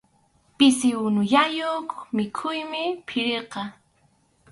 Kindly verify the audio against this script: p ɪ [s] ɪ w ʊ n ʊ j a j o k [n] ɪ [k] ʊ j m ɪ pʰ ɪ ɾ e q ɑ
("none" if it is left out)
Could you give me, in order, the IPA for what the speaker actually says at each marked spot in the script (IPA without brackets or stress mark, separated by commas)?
s, m, kʰ